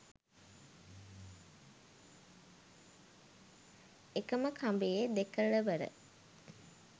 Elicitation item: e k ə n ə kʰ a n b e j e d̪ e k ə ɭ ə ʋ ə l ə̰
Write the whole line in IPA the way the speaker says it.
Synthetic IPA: e k ə m ə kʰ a m b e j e d̪ e k ə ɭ ə ʋ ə ɾ ə̰